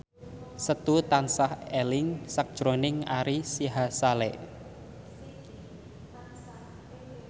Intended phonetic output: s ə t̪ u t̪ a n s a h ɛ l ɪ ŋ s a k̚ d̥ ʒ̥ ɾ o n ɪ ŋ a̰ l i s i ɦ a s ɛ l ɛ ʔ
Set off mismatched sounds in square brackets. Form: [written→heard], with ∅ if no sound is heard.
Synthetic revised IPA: s ə t̪ u t̪ a n s a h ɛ l ɪ ŋ s a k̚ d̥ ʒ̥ ɾ o n ɪ ŋ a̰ [l→ɾ] i s i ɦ a s [ɛ→a] l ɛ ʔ